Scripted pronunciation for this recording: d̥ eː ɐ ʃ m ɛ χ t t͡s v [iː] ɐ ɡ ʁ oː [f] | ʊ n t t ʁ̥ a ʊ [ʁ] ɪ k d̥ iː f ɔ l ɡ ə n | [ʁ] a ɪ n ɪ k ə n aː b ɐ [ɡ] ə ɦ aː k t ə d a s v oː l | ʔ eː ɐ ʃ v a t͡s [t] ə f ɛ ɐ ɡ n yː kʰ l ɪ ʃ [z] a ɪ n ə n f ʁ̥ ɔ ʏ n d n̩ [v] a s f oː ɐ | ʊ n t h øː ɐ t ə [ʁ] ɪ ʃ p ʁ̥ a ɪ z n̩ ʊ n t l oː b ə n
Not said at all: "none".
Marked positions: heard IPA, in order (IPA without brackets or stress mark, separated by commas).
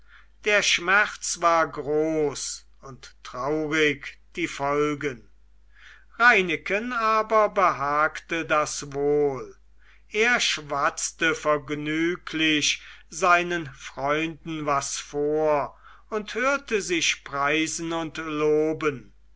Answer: aː, s, ʁ, ʁ, b, t, z, v, z